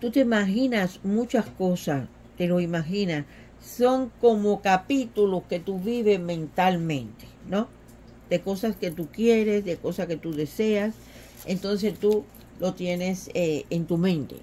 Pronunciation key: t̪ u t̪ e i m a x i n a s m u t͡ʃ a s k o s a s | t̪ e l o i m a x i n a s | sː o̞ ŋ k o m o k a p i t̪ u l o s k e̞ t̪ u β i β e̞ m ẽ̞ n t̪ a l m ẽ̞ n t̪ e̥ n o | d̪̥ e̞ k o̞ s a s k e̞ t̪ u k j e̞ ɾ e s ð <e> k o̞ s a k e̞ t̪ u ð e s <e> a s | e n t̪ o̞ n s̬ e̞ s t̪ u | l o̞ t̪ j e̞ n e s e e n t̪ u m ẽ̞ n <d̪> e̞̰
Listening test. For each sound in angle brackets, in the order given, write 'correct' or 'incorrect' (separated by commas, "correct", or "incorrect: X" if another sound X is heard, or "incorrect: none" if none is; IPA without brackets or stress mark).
correct, correct, incorrect: t̪